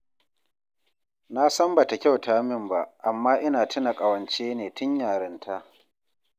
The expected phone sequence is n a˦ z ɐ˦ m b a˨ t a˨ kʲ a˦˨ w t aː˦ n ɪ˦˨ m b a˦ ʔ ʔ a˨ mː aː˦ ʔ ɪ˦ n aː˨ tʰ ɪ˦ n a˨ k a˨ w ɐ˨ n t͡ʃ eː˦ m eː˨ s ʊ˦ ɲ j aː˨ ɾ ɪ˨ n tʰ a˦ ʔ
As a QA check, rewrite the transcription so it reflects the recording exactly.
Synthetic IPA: n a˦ s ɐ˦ m b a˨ t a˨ kʲ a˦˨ w t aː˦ m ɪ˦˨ m b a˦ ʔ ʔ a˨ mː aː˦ ʔ ɪ˦ n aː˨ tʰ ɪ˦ n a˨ kʼ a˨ w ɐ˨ n t͡ʃ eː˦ n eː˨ t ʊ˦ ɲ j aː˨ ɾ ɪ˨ n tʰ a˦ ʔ